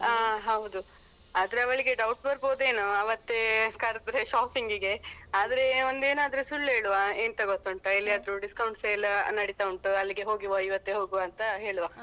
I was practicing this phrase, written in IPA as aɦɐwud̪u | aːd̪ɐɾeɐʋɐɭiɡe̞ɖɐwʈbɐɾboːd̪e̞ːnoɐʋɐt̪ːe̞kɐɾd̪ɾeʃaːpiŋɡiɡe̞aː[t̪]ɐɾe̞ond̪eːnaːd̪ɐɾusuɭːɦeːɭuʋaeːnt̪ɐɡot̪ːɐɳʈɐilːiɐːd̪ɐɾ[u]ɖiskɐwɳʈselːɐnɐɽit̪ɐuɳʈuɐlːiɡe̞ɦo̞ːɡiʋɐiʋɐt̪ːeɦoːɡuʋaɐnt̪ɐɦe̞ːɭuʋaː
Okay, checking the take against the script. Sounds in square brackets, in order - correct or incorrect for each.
incorrect: d̪, correct

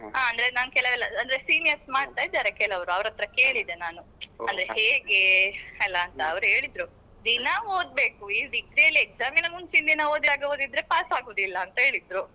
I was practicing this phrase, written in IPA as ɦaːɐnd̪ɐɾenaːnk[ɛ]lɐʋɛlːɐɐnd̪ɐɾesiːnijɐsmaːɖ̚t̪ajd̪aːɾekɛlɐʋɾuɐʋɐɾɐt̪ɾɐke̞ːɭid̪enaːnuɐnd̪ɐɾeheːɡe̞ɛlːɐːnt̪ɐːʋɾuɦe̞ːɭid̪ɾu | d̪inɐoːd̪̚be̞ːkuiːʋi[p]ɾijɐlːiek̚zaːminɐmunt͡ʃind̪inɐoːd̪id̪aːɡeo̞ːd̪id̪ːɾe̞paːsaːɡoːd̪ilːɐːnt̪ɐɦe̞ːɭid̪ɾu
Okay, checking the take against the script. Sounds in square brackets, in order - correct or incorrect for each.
correct, incorrect: k

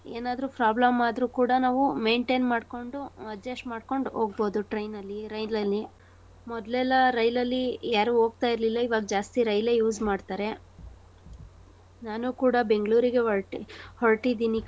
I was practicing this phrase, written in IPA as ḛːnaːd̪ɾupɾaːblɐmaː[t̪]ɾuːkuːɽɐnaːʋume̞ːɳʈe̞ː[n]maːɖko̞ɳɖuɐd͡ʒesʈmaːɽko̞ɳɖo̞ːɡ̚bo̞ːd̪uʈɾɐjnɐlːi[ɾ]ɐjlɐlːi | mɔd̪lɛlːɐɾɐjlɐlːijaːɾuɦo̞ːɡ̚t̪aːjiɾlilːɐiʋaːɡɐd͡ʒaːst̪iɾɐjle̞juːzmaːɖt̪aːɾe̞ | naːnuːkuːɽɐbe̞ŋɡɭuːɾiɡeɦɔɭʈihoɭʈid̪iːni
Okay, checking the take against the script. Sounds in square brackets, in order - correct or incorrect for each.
incorrect: d̪, correct, correct

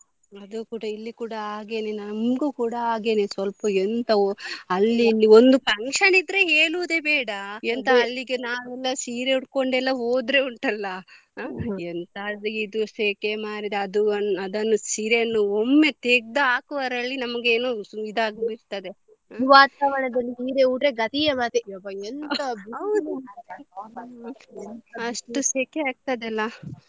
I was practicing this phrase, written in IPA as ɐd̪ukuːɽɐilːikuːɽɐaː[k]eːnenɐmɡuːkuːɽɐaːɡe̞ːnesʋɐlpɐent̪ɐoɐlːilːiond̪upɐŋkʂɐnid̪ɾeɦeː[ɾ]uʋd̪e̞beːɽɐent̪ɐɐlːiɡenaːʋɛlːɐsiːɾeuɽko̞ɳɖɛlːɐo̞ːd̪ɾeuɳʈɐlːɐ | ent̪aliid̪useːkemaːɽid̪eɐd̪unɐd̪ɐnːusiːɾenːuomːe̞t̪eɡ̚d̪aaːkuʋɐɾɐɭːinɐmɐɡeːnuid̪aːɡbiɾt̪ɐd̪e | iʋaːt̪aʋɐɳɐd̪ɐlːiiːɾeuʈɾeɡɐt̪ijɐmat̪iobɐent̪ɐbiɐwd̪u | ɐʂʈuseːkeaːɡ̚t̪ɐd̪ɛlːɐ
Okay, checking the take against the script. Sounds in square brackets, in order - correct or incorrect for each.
incorrect: ɡ, incorrect: ɭ

